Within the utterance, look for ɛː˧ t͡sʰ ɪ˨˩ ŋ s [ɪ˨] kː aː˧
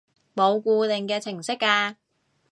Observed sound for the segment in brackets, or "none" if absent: ɪ˥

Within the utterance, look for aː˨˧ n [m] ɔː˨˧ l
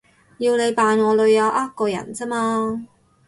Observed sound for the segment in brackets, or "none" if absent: ŋ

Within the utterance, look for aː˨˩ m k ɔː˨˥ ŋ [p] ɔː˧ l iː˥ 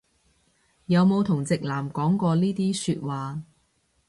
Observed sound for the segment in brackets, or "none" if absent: k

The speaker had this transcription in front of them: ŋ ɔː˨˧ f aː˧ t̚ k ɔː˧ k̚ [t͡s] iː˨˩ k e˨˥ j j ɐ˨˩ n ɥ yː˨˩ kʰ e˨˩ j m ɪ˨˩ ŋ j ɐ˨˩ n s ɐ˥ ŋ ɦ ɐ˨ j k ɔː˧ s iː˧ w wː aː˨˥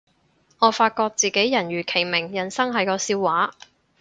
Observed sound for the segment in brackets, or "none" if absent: t͡s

